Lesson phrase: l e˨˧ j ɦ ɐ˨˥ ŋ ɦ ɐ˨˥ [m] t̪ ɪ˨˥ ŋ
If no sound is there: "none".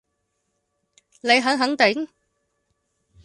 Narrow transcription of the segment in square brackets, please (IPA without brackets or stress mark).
ŋ